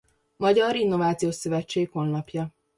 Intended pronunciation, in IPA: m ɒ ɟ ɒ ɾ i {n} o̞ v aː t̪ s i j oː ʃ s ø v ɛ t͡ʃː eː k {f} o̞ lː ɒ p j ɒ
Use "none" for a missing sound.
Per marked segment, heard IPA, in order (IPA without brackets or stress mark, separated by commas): nː, h